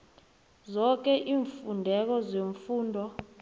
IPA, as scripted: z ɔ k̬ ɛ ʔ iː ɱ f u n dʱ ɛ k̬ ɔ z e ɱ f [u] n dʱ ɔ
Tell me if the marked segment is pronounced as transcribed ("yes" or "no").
no